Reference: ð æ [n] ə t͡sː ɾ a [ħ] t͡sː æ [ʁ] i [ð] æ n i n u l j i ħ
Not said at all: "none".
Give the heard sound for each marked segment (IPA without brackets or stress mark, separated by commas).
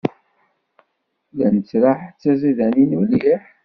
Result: n, ħ, z, ð